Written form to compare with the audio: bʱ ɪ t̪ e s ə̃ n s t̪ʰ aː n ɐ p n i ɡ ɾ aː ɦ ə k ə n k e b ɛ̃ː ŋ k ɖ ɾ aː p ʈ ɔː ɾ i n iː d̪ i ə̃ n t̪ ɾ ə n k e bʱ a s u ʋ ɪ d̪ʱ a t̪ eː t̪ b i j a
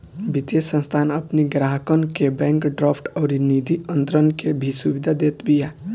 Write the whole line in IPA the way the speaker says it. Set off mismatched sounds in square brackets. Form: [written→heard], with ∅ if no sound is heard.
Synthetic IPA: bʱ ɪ t̪ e s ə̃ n s t̪ʰ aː n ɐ p n i ɡ ɾ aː ɦ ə k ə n k e b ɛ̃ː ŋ k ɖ ɾ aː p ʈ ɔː ɾ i n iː d̪ i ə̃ n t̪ ɾ ə n k e bʱ [a→i] s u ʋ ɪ d̪ʱ a [t̪→d̪] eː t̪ b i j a